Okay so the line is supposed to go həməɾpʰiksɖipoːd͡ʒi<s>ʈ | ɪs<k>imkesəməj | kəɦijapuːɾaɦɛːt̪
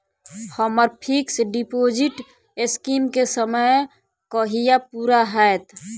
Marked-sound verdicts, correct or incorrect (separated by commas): incorrect, correct